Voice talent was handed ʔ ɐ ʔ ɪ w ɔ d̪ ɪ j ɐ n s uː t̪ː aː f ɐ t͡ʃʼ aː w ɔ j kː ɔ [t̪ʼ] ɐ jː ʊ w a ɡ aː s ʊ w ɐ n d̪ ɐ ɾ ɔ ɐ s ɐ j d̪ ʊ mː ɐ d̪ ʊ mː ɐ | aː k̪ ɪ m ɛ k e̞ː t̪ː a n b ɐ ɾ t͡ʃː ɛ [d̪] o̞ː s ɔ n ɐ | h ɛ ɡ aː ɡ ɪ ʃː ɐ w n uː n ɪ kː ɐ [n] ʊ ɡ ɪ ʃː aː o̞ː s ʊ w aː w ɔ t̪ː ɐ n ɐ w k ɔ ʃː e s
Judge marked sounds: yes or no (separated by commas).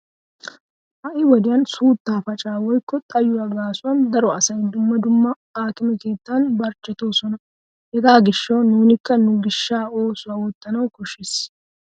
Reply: yes, no, yes